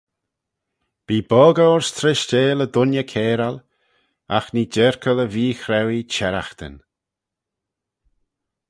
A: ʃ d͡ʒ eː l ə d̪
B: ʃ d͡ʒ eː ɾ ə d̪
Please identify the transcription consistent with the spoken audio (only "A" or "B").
A